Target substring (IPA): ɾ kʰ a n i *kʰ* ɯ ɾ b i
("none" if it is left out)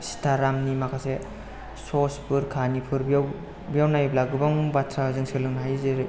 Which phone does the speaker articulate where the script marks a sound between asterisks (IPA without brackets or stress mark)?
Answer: pʰ